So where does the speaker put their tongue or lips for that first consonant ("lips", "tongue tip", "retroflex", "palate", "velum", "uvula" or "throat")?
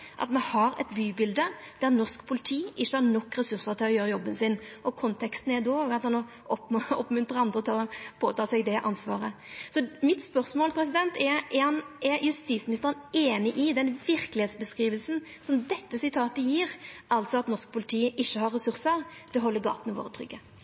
throat